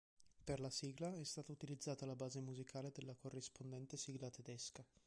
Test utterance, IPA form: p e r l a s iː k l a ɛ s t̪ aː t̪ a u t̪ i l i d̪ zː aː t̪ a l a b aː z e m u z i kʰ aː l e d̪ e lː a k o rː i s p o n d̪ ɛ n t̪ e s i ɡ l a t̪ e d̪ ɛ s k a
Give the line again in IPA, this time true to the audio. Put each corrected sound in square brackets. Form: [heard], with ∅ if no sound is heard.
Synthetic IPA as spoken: p e r l a s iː [ɡ] l a ɛ s t̪ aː t̪ a u t̪ i l i d̪ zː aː t̪ a l a b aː z e m u z i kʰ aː l e d̪ e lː a k o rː i s p o n d̪ ɛ n t̪ e s i ɡ l a t̪ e d̪ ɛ s k a